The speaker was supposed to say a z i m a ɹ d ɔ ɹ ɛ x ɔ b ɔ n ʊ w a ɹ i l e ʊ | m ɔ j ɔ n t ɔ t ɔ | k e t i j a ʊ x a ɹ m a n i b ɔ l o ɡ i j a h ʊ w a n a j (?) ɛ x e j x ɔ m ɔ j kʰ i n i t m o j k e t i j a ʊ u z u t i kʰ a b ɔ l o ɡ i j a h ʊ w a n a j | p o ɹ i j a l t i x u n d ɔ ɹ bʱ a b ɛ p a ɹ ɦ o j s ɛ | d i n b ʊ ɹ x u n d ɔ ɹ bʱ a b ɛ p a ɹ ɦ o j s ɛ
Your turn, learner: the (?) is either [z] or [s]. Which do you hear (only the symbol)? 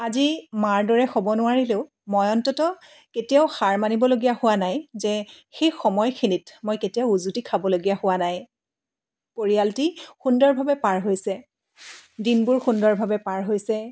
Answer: z